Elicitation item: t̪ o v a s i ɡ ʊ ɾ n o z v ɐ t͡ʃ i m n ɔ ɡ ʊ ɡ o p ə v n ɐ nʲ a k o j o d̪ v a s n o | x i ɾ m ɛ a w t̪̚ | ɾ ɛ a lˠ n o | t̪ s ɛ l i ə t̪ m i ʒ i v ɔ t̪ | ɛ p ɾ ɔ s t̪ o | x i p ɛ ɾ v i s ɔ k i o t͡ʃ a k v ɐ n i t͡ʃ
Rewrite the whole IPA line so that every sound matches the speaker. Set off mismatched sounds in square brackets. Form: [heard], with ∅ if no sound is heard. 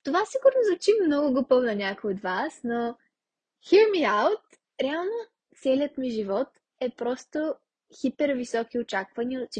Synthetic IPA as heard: t̪ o v a s i ɡ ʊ ɾ n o z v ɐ t͡ʃ i m n ɔ ɡ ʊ ɡ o p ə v n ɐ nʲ a k o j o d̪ v a s n o | x i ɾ m [i] a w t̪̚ | ɾ ɛ a lˠ n o | t̪ s ɛ l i ə t̪ m i ʒ i v ɔ t̪ | ɛ p ɾ ɔ s t̪ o | x i p ɛ ɾ v i s ɔ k i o t͡ʃ a k v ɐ n i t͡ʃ